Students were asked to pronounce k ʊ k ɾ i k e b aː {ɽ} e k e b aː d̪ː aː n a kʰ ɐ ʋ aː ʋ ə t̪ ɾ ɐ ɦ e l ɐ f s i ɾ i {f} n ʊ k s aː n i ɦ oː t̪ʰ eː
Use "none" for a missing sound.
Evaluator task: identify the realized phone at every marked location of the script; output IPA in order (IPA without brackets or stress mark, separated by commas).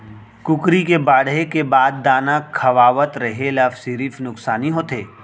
ɽ, f